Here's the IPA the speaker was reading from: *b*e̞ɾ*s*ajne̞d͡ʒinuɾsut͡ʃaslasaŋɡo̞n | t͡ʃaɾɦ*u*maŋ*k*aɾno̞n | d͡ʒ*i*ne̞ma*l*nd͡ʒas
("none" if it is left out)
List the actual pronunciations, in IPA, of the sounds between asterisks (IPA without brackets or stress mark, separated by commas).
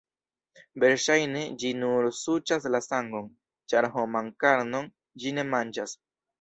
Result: b, ʃ, o, k, i, none